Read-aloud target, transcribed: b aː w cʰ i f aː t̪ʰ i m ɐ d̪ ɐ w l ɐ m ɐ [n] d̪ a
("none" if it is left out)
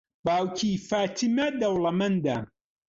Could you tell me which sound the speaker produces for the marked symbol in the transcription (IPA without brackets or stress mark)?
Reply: n